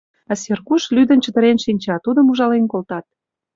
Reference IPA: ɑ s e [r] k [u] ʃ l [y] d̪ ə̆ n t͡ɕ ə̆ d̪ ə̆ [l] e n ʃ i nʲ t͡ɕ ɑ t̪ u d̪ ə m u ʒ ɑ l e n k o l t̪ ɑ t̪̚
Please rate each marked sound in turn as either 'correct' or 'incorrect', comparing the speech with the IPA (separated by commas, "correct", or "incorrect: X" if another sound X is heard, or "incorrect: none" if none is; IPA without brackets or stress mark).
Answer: correct, correct, correct, incorrect: ɾ